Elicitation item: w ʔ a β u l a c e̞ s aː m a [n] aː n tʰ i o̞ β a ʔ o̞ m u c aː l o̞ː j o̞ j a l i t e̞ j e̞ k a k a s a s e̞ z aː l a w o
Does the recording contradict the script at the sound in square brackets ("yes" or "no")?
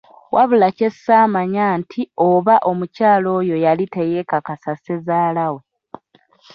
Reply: yes